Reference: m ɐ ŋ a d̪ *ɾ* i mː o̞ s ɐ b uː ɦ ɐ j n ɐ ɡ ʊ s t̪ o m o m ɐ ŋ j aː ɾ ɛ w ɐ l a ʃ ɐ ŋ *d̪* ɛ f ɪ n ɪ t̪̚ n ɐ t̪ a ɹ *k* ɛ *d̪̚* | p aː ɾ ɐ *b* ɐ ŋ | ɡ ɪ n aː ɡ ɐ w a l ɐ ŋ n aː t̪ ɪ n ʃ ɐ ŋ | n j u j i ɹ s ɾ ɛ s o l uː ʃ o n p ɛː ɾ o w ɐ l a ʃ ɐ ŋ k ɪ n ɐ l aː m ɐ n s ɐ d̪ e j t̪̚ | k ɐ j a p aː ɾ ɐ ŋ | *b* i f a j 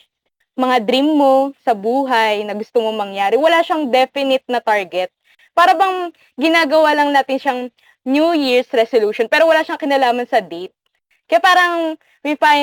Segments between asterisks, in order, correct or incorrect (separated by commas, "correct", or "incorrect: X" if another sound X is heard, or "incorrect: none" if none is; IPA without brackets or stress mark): correct, correct, incorrect: ɡ, incorrect: t̪̚, correct, incorrect: w